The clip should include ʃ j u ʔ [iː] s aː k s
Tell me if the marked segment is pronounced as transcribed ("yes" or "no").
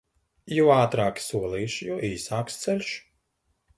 yes